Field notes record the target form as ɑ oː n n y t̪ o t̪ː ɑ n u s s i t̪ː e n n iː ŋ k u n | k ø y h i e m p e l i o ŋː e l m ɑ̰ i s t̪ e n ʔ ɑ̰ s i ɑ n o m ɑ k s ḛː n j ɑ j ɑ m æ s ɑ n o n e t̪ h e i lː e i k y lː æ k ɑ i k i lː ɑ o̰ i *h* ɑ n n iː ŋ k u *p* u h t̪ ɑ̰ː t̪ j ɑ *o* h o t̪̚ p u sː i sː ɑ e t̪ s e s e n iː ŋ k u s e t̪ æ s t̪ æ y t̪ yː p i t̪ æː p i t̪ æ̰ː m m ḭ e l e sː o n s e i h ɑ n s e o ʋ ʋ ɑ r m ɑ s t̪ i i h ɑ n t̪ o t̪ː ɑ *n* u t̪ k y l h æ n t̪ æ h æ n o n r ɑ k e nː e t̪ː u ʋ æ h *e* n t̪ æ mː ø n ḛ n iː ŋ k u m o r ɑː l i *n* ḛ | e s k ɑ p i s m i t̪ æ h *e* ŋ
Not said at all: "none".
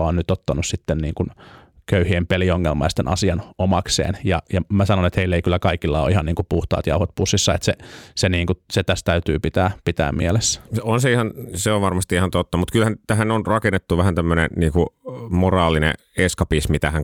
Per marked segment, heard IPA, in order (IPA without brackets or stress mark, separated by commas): h, p, u, m, æ, n, æ